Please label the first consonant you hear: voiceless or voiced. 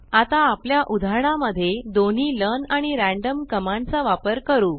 voiceless